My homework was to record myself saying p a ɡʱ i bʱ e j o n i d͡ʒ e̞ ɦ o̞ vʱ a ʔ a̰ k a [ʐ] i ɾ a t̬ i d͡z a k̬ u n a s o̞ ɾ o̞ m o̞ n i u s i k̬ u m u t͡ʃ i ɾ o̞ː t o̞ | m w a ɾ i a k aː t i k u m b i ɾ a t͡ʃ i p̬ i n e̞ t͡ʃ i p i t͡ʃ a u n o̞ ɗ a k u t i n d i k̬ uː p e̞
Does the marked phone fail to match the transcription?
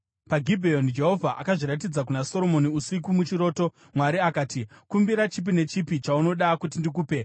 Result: no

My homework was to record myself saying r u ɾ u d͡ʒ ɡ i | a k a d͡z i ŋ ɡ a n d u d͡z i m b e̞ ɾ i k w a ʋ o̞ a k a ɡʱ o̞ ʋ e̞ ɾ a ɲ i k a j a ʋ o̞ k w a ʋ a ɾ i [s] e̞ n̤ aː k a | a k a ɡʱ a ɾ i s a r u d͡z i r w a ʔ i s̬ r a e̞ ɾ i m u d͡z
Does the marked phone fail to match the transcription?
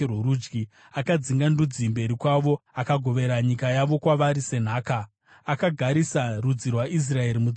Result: no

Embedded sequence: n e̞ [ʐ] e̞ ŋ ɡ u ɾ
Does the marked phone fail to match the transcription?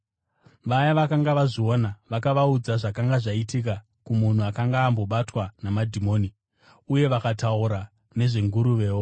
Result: no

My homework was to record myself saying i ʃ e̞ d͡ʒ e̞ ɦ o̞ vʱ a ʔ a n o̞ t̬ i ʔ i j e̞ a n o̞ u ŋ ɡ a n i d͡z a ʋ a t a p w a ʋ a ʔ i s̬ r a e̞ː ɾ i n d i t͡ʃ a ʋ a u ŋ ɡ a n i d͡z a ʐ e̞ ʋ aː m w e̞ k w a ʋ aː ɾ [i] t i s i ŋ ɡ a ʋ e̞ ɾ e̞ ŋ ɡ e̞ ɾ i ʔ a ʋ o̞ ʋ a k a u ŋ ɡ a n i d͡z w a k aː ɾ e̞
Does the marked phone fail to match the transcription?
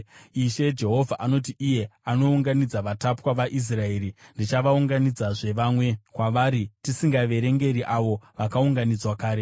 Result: no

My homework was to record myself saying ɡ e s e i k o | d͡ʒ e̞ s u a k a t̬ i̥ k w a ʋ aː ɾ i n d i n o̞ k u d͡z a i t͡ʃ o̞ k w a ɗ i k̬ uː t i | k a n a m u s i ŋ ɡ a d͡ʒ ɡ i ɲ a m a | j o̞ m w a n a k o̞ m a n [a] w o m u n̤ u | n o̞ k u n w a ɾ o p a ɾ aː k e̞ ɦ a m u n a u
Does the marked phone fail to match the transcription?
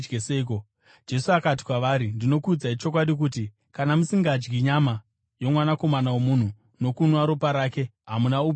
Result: no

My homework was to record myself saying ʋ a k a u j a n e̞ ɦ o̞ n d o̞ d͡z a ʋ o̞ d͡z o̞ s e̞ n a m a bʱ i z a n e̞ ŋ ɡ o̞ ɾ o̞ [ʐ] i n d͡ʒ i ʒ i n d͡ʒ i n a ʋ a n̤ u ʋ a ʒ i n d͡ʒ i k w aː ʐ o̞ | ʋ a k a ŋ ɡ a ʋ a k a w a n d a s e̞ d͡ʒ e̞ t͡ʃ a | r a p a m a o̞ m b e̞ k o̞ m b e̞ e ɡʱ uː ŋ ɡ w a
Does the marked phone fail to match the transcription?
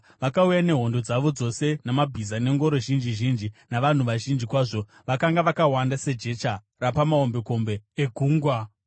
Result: yes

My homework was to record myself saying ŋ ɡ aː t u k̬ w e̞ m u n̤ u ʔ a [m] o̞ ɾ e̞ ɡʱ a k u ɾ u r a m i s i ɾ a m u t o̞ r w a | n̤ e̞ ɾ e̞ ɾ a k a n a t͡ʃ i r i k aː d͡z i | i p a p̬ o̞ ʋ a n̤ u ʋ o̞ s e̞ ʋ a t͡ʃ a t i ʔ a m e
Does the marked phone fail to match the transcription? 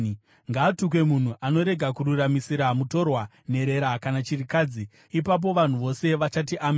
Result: yes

